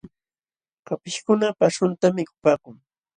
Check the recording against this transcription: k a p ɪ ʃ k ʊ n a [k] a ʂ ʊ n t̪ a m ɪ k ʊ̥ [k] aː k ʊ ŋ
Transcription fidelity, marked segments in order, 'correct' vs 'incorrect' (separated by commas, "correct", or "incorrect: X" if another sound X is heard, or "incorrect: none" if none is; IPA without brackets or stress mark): incorrect: p, incorrect: p